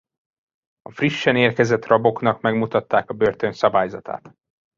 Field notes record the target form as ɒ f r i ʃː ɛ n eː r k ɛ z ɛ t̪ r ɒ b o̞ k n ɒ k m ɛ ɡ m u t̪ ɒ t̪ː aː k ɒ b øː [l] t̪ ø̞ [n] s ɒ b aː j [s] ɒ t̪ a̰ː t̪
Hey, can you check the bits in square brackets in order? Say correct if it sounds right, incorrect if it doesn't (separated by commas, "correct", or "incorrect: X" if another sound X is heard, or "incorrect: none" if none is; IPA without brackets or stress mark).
incorrect: r, correct, incorrect: z